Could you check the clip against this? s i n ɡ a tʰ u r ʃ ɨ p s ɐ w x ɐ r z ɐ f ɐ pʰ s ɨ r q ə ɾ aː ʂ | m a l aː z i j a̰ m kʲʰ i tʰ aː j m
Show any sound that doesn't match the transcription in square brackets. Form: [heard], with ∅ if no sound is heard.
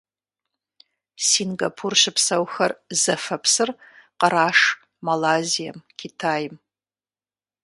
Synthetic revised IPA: s i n ɡ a [pʰ] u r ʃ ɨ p s ɐ w x ɐ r z ɐ f ɐ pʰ s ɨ r q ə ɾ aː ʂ | m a l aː z i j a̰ m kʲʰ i tʰ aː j m